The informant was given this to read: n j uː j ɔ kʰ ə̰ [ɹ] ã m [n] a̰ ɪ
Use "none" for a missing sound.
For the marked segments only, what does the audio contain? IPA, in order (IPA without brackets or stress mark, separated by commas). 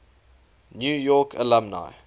l, n